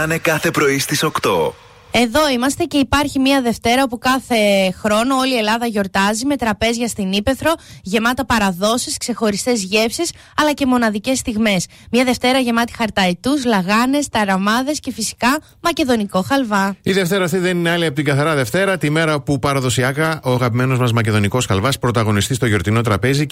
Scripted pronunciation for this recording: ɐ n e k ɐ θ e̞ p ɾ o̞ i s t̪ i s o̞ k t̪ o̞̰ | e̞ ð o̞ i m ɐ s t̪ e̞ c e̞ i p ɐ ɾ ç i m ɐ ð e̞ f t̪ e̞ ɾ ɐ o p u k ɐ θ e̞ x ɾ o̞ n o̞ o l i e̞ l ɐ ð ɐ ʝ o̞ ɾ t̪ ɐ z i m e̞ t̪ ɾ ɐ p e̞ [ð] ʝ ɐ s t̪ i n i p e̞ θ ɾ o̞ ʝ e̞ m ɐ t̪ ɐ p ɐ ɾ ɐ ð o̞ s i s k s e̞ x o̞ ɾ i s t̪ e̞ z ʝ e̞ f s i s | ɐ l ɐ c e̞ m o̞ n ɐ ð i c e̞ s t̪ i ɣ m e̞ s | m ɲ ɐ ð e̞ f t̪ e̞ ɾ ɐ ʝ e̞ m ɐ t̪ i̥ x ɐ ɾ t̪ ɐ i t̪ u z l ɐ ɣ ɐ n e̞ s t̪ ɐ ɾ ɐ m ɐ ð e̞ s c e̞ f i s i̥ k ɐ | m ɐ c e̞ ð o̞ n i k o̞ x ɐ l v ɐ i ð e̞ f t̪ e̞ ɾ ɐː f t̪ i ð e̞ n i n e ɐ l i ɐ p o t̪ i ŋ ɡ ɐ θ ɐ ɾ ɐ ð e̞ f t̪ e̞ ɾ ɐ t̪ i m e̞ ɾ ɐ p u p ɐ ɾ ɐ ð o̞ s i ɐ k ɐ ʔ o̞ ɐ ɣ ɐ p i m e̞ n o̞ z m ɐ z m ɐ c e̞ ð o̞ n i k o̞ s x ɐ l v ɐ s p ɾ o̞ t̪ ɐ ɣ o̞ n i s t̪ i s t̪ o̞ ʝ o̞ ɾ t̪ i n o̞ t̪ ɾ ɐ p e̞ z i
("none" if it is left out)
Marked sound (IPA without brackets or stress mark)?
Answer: z